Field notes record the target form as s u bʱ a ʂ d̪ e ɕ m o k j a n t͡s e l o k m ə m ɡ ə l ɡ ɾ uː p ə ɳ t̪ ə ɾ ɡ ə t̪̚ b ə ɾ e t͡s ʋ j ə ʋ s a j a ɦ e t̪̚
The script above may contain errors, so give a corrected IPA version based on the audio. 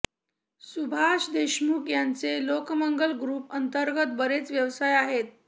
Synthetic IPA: s u bʱ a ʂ d̪ e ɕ m u k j a n t͡s e l o k m ə ŋ ɡ ə l ɡ ɾ uː p ə n t̪ ə ɾ ɡ ə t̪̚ b ə ɾ e t͡s ʋ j ə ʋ s a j a ɦ e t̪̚